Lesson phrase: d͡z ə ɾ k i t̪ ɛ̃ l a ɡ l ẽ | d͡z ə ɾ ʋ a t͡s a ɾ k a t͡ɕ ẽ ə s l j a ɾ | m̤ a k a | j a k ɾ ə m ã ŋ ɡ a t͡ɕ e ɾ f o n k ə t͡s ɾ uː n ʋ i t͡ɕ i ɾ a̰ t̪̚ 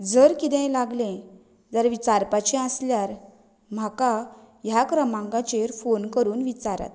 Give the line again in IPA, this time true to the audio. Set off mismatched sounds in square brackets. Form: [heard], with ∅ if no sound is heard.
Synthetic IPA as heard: d͡z ə ɾ k i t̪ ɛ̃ l a ɡ l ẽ | d͡z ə ɾ ʋ [i] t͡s a ɾ [p] a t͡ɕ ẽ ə s l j a ɾ | m̤ a k a | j a k ɾ ə m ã ŋ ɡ a t͡ɕ e ɾ f o n k ə [∅] ɾ uː n ʋ i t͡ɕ [a] ɾ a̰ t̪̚